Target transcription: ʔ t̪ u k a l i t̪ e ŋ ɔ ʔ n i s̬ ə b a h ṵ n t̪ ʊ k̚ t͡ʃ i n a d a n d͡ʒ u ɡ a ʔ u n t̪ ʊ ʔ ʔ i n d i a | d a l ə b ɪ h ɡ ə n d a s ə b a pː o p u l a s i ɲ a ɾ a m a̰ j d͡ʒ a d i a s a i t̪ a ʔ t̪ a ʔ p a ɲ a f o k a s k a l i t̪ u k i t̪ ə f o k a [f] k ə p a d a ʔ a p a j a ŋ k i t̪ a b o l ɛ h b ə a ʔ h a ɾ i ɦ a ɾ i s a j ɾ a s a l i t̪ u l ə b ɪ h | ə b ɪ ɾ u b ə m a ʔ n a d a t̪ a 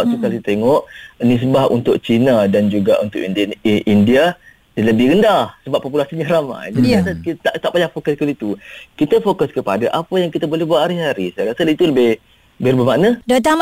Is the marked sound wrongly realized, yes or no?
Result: yes